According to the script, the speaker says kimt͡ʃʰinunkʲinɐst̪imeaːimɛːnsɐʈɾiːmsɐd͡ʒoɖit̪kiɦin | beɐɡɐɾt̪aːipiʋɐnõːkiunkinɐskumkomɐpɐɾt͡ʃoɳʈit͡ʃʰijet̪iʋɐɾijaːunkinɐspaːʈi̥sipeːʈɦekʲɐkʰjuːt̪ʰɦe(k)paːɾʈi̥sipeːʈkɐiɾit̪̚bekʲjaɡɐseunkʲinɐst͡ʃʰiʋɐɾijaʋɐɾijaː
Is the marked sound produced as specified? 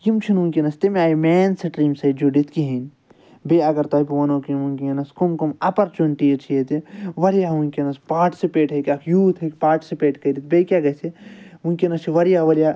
yes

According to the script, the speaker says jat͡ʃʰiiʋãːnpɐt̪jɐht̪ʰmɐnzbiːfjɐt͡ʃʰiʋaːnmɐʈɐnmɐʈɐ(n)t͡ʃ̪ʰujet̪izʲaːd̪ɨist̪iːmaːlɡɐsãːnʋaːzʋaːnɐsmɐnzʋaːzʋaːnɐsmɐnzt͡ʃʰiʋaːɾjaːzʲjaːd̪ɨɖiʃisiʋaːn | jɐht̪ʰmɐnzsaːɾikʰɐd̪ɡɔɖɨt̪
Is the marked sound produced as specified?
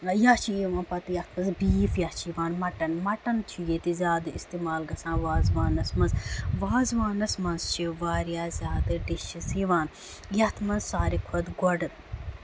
yes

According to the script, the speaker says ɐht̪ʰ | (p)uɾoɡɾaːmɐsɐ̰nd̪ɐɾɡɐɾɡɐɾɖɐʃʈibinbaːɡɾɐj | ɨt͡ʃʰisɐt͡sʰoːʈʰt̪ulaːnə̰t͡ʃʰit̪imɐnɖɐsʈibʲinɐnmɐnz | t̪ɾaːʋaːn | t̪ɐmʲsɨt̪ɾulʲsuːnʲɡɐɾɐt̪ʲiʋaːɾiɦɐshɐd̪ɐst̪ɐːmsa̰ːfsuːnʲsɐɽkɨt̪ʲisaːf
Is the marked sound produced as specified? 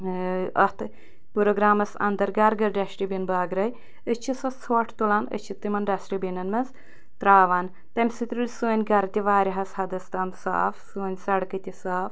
yes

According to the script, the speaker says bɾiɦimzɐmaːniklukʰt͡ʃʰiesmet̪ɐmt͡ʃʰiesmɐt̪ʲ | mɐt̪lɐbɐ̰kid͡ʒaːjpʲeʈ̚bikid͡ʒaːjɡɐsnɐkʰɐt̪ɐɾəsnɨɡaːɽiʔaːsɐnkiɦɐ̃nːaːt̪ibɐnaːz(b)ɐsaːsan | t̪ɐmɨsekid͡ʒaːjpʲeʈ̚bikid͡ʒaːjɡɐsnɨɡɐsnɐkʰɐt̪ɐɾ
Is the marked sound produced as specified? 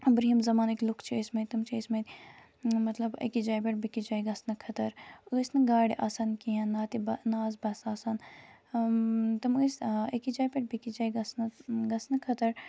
yes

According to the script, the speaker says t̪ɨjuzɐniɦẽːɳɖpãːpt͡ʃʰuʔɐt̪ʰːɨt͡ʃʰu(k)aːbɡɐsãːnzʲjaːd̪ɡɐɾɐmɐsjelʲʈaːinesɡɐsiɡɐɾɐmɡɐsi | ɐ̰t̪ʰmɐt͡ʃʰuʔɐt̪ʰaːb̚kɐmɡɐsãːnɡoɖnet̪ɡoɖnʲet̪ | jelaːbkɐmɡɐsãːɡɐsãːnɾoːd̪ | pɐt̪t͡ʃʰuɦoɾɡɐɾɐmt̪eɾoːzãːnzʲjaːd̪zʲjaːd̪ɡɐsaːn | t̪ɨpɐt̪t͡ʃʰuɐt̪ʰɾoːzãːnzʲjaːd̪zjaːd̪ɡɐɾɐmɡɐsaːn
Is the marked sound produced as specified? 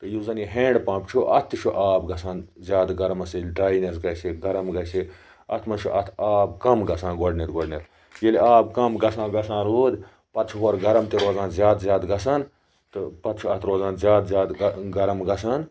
no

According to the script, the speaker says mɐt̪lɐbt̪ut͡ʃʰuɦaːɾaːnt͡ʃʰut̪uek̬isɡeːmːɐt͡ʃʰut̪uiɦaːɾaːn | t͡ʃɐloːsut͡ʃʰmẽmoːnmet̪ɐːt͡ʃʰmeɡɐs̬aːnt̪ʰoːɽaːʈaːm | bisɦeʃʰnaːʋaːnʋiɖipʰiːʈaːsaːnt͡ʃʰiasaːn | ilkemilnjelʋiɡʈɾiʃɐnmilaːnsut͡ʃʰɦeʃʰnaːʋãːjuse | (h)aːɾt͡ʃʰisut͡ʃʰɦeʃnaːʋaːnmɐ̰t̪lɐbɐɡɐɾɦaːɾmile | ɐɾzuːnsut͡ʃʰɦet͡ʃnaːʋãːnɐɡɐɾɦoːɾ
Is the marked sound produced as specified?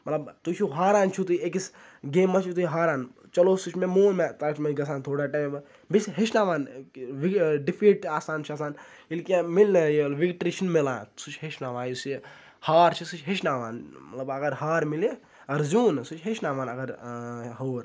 yes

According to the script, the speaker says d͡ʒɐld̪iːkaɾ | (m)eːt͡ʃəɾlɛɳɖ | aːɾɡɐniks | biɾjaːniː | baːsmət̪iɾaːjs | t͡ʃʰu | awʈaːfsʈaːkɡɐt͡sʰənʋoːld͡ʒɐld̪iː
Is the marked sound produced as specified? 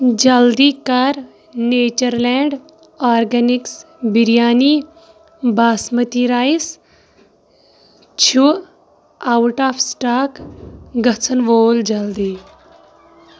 no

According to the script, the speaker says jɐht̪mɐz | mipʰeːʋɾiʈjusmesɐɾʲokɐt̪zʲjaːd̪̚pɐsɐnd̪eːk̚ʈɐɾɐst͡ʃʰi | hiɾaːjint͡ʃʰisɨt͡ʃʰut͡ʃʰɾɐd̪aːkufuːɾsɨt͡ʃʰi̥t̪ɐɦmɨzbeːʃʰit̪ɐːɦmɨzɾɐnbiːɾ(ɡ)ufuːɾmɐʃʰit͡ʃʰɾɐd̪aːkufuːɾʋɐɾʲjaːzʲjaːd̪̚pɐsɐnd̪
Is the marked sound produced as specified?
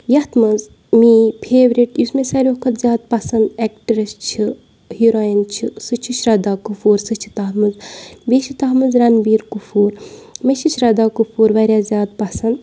no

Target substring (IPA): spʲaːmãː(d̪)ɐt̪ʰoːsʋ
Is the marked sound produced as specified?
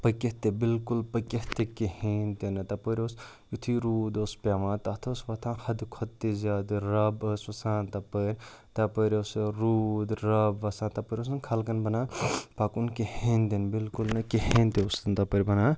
no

